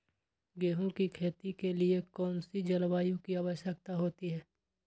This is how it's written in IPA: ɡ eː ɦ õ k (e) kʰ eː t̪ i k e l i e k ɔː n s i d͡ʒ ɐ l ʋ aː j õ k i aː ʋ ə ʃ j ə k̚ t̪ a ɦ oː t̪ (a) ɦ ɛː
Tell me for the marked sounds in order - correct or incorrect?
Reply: incorrect, incorrect

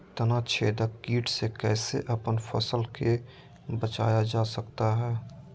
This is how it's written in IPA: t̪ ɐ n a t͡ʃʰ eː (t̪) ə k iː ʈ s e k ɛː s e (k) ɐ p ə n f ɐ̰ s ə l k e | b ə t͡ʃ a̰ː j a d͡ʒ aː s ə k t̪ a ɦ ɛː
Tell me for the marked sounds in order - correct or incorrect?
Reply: incorrect, incorrect

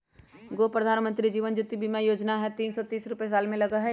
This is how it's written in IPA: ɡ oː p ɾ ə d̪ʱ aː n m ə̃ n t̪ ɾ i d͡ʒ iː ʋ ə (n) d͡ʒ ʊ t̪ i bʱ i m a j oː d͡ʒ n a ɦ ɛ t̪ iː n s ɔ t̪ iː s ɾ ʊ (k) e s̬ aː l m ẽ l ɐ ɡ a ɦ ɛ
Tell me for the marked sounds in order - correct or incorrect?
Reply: correct, incorrect

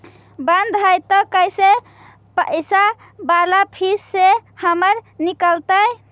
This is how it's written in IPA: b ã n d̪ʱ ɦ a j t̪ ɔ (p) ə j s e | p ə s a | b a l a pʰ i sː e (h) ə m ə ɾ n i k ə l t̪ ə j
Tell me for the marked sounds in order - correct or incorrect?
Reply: incorrect, correct

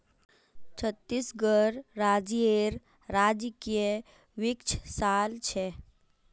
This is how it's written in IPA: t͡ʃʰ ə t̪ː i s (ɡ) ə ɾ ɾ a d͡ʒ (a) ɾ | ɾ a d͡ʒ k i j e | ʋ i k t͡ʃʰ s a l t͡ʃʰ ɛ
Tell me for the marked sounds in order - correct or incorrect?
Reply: correct, incorrect

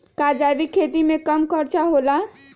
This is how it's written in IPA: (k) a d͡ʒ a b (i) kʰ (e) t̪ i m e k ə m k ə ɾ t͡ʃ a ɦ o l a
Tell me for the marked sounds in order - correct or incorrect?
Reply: correct, correct, correct

